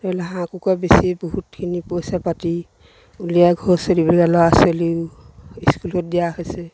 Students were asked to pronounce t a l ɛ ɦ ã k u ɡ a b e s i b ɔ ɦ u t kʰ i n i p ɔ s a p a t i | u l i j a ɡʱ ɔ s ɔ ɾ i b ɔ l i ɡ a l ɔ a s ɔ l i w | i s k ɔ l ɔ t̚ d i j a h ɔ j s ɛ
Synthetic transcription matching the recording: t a l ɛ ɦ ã k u k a b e s i b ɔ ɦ u t kʰ i n i p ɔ s a p a t i | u l i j a ɡʱ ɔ s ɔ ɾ i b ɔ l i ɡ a l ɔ a s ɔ l i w | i s k u l ɔ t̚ d i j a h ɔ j s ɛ